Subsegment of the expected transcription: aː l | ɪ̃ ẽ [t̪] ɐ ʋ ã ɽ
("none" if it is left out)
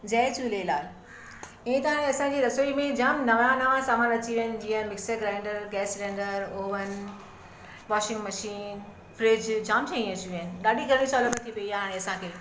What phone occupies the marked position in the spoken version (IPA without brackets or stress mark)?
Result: t̪